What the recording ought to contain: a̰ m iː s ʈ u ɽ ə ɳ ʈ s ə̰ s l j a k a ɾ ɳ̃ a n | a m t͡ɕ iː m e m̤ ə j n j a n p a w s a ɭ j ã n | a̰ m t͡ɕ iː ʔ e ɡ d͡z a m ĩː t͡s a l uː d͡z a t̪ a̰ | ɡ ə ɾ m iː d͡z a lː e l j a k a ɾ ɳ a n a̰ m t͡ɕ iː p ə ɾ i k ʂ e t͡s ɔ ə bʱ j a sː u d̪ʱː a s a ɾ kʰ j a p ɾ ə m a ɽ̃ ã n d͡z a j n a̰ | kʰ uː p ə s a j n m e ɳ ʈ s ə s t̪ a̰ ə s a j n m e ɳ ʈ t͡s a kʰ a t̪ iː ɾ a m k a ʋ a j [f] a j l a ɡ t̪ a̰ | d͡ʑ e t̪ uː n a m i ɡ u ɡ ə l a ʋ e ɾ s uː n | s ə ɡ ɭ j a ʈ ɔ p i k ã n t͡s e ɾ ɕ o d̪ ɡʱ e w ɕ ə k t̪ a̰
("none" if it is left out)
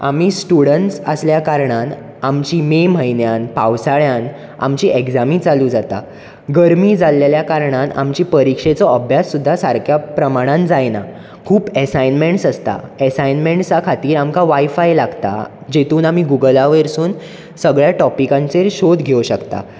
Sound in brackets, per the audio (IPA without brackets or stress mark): f